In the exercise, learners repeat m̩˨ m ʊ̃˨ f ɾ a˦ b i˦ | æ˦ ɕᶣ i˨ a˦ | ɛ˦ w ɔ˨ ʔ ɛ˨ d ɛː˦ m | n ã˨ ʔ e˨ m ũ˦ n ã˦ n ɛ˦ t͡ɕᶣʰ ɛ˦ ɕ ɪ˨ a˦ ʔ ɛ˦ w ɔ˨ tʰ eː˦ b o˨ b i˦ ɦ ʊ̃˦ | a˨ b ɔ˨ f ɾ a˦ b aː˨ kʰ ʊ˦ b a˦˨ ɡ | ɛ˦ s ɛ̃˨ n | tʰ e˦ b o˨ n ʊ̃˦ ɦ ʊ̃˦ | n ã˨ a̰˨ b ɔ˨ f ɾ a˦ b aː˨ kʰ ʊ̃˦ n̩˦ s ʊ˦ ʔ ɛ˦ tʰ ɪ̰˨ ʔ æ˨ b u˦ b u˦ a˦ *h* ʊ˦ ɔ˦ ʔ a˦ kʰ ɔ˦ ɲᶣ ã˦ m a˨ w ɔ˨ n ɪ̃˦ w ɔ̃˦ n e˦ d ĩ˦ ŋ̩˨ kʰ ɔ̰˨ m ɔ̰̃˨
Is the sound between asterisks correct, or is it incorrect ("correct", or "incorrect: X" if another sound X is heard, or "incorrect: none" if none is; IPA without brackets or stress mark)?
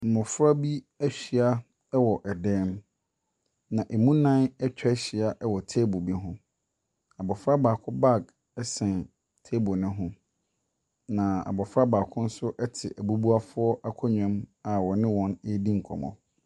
incorrect: f